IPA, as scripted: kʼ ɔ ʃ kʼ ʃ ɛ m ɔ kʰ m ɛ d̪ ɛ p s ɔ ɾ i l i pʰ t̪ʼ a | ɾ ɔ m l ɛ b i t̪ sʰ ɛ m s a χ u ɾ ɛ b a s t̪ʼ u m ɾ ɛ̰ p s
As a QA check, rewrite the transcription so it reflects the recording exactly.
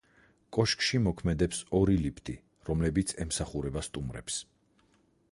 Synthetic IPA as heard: kʼ ɔ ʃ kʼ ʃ i m ɔ kʰ m ɛ d̪ ɛ p s ɔ ɾ i l i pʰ t̪ʼ i | ɾ ɔ m l ɛ b i t̪ sʰ ɛ m s a χ u ɾ ɛ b a s t̪ʼ u m ɾ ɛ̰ p s

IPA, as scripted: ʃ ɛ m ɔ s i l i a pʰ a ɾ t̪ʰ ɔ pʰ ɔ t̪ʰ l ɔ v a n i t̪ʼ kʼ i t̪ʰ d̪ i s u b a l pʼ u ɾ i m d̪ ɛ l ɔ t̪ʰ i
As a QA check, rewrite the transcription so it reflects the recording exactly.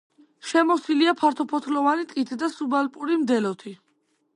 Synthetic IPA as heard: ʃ ɛ m ɔ s i l i a pʰ a ɾ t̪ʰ ɔ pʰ ɔ t̪ʰ l ɔ v a n i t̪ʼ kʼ i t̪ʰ d̪ a s u b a l pʼ u ɾ i m d̪ ɛ l ɔ t̪ʰ i

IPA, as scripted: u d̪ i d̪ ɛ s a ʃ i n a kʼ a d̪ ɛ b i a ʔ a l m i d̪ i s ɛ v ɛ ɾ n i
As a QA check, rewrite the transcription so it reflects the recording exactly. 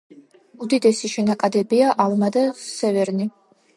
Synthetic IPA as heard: u d̪ i d̪ ɛ s i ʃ ɛ n a kʼ a d̪ ɛ b i a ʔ a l m a d̪ a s ɛ v ɛ ɾ n i

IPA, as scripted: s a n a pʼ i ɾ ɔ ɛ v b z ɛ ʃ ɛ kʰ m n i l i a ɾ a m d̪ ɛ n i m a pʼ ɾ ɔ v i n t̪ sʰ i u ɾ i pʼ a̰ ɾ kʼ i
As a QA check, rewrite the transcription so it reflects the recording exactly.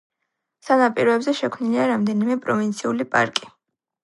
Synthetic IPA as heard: s a n a pʼ i ɾ ɔ ɛ b z ɛ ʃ ɛ kʰ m n i l i a ɾ a m d̪ ɛ n i m ɛ pʼ ɾ ɔ v i n t̪ sʰ i u l i pʼ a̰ ɾ kʼ i

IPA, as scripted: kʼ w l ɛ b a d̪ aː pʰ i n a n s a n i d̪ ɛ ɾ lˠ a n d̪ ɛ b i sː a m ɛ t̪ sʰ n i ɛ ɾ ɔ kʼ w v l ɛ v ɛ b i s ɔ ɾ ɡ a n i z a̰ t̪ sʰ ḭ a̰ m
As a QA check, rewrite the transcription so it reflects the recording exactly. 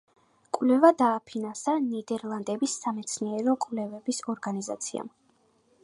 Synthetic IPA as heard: kʼ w l ɛ v a d̪ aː pʰ i n a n s a n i d̪ ɛ ɾ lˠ a n d̪ ɛ b i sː a m ɛ t̪ sʰ n i ɛ ɾ ɔ kʼ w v l ɛ v ɛ b i s ɔ ɾ ɡ a n i z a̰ t̪ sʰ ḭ a̰ m

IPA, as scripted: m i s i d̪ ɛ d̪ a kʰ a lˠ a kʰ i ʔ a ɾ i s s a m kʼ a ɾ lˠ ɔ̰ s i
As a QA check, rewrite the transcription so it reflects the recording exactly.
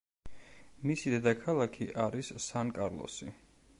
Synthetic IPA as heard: m i s i d̪ ɛ d̪ a kʰ a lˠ a kʰ i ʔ a ɾ i s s a n kʼ a ɾ lˠ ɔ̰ s i

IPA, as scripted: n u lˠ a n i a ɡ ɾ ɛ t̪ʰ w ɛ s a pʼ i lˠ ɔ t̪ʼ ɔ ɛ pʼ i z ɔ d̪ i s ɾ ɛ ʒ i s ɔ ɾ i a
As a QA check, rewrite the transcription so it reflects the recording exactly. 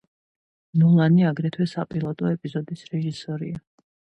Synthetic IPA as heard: n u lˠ a n i a ɡ ɾ ɛ t̪ʰ w ɛ s a pʼ i lˠ ɔ t̪ʼ ɔ ɛ pʼ i z ɔ d̪ i s ɾ ɛ ʒ i s ɔ ɾ i a

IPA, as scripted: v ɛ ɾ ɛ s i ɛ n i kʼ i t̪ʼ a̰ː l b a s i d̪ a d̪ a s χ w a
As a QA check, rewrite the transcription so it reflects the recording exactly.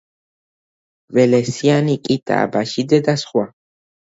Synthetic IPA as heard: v ɛ l ɛ s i a n i kʼ i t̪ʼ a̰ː b a ʃ i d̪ ɛ d̪ a s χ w a

